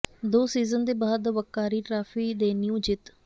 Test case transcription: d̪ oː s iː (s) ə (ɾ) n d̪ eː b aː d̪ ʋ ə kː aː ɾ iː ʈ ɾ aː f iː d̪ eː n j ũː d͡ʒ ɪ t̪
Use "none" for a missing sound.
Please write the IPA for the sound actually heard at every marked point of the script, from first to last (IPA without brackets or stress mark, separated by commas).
z, none